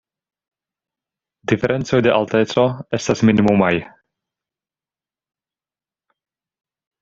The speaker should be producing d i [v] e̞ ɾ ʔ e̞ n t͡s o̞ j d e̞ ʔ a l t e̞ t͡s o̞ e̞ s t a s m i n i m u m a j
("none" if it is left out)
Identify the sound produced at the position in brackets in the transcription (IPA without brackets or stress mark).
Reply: f